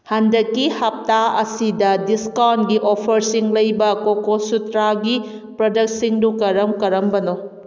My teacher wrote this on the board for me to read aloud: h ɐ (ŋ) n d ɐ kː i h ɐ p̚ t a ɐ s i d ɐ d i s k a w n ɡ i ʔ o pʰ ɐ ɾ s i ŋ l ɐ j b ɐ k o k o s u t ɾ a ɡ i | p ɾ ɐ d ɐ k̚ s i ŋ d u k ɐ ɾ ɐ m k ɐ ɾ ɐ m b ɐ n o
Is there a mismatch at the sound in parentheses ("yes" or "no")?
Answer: yes